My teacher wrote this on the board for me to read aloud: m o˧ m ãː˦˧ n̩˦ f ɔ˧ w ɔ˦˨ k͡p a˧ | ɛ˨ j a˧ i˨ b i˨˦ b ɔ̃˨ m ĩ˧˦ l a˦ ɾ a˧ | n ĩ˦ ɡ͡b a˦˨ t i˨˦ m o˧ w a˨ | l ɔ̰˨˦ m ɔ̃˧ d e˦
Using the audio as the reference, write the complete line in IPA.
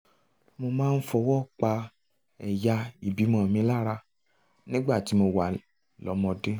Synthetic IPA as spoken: m o˧ m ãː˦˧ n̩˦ f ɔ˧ w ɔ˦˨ k͡p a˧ | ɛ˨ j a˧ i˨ b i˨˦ m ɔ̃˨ m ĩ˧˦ l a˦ ɾ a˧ | n ĩ˦ ɡ͡b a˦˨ t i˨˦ m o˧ w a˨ | l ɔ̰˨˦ m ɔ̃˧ d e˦